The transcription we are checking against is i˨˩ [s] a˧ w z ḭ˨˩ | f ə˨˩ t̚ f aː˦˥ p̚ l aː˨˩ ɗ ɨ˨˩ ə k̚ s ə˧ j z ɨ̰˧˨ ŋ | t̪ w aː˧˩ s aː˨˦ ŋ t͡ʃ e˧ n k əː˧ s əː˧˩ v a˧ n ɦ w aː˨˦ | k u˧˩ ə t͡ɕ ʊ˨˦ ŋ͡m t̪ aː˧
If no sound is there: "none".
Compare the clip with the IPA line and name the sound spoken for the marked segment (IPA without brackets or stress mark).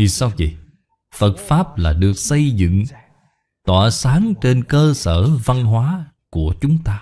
s